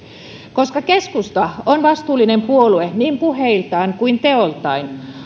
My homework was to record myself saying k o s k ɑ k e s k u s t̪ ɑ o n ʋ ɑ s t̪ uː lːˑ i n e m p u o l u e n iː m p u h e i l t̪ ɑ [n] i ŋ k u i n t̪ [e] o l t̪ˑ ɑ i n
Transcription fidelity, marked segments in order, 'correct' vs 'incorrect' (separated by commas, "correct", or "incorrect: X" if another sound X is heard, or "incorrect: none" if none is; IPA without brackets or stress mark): incorrect: none, correct